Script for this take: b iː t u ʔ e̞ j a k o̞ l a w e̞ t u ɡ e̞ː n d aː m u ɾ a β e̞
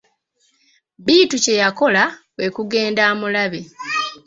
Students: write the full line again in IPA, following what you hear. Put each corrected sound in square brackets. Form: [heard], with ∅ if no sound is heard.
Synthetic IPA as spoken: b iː t u [c] e̞ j a k o̞ l a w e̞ [k] u ɡ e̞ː n d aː m u [l] a β e̞